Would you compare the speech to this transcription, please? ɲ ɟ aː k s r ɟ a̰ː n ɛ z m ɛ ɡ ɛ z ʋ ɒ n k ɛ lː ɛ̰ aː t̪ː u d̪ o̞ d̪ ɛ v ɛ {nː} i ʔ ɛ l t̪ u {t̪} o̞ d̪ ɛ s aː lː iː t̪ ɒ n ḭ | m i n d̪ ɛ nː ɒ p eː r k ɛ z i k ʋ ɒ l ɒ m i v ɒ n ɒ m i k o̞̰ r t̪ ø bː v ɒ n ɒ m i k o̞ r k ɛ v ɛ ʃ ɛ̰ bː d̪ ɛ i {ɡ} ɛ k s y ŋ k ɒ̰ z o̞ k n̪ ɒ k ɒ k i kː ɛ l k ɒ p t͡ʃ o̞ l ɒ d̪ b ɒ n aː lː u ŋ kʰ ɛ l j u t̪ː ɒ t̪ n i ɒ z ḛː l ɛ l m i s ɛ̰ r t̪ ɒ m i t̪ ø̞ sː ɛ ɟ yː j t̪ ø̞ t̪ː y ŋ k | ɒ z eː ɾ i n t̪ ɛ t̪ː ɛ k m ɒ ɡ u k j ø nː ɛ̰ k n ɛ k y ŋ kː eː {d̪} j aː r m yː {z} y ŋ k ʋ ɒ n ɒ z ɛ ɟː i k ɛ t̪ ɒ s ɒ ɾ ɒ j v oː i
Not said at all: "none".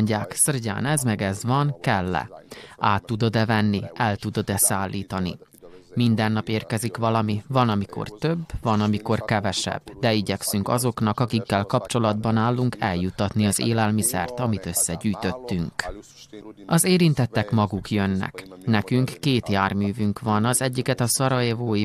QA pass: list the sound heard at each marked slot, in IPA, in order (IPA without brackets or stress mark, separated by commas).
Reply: nː, d̪, ɟ, t̪, v